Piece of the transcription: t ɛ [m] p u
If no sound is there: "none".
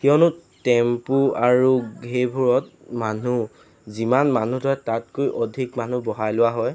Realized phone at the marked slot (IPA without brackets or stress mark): m